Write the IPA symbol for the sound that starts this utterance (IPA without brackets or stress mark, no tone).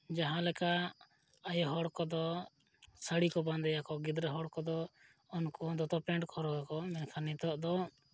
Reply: d͡ʒ